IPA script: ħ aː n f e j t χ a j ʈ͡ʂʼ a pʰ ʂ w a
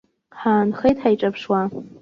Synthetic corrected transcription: ħ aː n χ e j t ħ a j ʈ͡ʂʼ a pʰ ʂ w a

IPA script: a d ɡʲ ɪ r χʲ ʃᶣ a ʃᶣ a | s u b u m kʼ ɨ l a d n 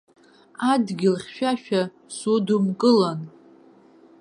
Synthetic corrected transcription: a d ɡʲ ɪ l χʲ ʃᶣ a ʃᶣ a | s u d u m kʼ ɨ l a n

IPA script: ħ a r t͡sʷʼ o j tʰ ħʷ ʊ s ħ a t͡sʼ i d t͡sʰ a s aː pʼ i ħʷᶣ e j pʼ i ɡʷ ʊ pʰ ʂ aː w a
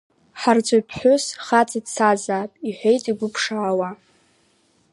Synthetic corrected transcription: ħ a r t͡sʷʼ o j pʰ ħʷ ʊ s χ a t͡sʼ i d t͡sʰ a z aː pʼ i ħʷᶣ e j tʼ i ɡʷ ʊ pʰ ʂ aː w a

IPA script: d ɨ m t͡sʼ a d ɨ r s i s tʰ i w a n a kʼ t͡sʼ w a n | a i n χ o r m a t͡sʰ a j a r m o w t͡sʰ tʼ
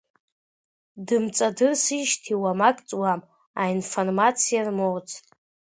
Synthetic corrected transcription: d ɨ m t͡sʼ a d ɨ r s i ʃ tʰ i w a m a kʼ t͡sʼ w a m | a i n f o r m a t͡sʰ i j a r m o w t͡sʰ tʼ

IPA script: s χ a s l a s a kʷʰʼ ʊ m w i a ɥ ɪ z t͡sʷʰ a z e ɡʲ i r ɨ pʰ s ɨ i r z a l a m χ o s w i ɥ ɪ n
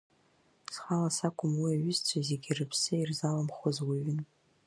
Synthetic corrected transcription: s χ a l a s a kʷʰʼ ʊ m w i a ɥ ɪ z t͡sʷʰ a z e ɡʲ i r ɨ pʰ s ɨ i r z a l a m χ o z w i ɥ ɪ n

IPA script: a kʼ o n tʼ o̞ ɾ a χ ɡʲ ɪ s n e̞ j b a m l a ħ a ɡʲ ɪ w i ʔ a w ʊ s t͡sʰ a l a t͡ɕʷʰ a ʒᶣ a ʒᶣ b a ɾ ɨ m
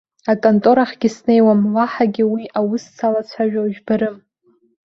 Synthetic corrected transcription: a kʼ o n tʼ o̞ ɾ a χ ɡʲ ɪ s n e̞ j w a m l a ħ a ɡʲ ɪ w i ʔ a w ʊ s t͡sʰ a l a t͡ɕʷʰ a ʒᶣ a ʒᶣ b a ɾ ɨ m

